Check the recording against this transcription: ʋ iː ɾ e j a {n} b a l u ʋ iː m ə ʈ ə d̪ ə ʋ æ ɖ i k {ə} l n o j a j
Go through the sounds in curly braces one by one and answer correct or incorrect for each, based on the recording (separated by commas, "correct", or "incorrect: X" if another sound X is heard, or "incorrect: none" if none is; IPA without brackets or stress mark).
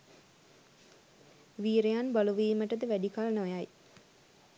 correct, incorrect: a